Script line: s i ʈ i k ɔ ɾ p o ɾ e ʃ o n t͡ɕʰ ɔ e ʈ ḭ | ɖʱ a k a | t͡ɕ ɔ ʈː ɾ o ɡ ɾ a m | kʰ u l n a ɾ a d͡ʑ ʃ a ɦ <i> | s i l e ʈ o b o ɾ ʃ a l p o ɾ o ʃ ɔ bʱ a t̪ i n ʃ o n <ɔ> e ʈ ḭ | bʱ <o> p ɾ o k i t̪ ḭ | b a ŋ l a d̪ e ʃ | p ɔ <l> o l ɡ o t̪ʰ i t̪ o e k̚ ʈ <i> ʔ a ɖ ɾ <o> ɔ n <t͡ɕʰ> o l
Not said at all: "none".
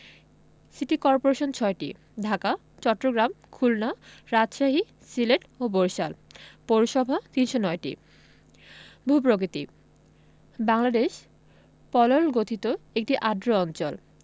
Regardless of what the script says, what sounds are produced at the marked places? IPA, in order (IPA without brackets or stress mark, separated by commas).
i, ɔ, u, l, i, o, t͡ɕ